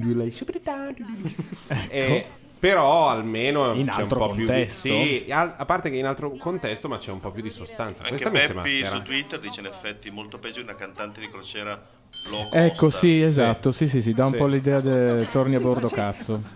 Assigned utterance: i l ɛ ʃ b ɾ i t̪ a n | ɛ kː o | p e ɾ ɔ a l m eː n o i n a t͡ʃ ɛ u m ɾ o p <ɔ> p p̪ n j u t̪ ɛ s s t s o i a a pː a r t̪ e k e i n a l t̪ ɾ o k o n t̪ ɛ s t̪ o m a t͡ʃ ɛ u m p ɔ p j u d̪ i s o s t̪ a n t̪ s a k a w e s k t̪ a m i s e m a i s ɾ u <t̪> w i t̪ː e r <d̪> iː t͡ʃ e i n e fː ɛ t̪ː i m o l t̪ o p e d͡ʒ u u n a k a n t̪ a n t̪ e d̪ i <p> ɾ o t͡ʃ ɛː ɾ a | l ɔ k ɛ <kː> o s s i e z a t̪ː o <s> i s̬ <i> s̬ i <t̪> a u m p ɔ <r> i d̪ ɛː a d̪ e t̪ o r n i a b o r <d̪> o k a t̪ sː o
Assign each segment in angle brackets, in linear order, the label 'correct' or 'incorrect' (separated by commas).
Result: correct, correct, correct, incorrect, correct, correct, correct, incorrect, incorrect, correct